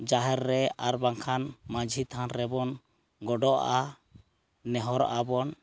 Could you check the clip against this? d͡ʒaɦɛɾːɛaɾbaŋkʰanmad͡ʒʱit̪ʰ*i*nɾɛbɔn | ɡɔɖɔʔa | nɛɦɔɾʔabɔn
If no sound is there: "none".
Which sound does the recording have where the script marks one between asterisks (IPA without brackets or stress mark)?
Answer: a